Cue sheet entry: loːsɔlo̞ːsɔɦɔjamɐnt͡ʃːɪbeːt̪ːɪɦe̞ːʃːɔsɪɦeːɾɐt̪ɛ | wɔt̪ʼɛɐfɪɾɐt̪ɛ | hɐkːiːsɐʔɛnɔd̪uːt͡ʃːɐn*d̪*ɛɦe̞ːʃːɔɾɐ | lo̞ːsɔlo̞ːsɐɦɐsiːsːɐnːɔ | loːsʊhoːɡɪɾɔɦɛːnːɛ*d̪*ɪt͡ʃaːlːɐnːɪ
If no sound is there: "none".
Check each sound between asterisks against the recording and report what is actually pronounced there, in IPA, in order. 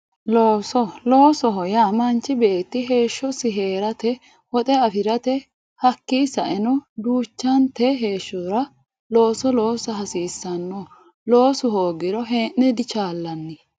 t̪, d̪

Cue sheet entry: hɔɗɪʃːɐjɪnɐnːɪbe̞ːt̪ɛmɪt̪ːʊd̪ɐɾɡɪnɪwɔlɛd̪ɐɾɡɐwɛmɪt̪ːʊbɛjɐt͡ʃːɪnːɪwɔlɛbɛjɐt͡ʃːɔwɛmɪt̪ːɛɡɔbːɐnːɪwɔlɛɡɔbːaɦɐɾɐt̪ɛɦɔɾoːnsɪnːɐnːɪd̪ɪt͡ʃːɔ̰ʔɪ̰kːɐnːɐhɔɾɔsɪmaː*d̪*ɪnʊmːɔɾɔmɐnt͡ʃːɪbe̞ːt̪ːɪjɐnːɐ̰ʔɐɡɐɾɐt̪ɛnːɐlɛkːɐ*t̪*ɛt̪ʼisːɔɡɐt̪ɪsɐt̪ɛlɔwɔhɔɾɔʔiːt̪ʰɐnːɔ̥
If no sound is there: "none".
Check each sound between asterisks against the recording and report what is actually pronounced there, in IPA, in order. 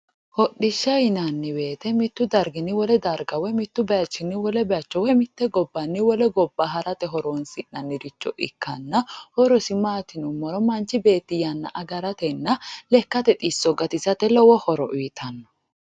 t̪, t̪

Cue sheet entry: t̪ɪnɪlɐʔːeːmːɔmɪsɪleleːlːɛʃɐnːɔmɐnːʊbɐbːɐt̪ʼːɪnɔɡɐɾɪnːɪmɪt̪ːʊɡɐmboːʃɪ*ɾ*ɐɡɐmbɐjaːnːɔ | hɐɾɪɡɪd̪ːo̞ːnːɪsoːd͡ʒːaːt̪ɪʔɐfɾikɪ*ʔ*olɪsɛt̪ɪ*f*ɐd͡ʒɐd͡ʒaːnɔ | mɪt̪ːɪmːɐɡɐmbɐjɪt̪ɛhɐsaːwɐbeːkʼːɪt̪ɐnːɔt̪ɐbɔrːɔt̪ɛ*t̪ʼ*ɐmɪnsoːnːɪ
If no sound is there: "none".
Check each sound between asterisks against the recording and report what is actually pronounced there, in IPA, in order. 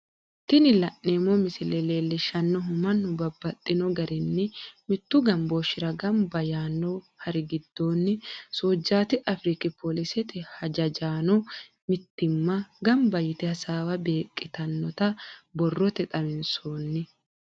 ɾ, p, h, t̪ʼ

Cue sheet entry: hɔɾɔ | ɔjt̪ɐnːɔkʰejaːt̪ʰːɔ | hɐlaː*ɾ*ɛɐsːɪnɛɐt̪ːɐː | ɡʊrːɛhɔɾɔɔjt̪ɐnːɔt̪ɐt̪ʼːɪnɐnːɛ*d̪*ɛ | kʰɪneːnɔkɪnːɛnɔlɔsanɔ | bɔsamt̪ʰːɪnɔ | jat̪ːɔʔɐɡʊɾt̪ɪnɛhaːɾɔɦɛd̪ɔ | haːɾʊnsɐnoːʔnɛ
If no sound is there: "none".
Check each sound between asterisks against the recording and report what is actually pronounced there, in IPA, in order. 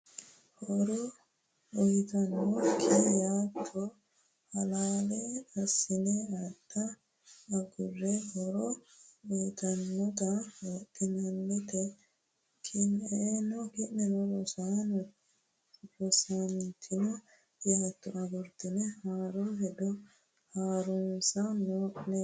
l, t̪

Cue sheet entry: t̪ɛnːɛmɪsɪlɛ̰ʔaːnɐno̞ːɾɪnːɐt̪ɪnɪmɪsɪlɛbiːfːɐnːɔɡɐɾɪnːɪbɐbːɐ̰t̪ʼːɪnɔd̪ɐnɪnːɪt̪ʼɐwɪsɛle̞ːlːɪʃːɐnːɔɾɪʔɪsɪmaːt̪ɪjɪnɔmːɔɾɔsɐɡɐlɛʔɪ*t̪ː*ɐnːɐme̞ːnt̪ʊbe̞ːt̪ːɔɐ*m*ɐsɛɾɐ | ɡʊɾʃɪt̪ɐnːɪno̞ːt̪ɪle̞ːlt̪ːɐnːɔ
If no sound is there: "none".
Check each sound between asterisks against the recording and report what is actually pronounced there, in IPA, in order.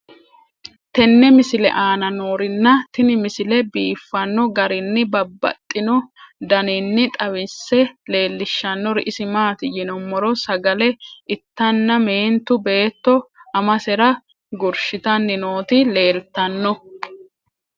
t̪ː, m

